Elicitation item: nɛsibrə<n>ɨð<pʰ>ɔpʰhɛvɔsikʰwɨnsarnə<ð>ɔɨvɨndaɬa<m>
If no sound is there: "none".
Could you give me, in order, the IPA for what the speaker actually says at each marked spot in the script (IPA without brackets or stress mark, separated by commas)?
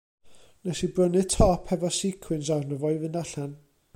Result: n, tʰ, v, n